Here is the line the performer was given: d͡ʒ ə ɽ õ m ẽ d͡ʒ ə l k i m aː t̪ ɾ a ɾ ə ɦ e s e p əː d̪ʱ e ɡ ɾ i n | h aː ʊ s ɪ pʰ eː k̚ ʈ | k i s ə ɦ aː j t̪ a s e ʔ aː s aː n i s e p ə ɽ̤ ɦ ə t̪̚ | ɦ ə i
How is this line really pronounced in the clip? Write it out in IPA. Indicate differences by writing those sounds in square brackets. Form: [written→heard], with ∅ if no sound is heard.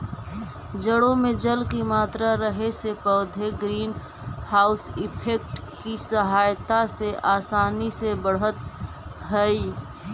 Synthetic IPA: d͡ʒ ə ɽ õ m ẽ d͡ʒ ə l k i m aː t̪ ɾ a ɾ ə ɦ e s e p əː d̪ʱ e ɡ ɾ [i→iː] n | h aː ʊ s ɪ pʰ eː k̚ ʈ | k i s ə ɦ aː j t̪ a s e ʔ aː s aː n i s e [p→b] ə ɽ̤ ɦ ə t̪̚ | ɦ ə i